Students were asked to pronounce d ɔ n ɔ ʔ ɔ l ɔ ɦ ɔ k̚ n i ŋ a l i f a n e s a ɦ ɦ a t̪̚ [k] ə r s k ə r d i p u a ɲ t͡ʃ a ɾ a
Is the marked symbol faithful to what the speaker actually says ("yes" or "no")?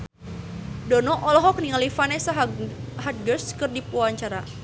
no